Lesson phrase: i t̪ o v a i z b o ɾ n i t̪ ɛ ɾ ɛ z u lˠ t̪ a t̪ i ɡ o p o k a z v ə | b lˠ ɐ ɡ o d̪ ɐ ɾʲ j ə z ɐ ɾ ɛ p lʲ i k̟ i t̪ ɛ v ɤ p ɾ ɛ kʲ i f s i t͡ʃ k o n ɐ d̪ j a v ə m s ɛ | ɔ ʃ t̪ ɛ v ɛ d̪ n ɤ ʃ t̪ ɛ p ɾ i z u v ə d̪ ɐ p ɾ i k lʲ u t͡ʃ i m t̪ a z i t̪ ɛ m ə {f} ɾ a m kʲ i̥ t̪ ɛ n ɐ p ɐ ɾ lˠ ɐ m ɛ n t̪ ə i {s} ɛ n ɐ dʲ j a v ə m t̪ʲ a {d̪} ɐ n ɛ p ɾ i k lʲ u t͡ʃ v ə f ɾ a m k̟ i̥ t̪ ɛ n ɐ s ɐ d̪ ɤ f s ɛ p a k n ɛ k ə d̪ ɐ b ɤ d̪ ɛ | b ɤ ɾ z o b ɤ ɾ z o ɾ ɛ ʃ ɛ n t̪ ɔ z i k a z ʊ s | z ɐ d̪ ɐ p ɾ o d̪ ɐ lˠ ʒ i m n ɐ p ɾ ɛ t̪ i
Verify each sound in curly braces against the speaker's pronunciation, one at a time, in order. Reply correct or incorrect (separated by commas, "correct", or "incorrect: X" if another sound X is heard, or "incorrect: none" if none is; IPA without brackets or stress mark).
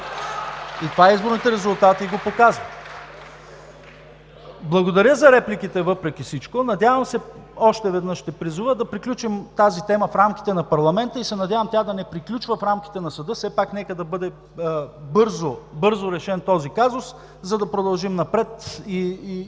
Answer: correct, correct, correct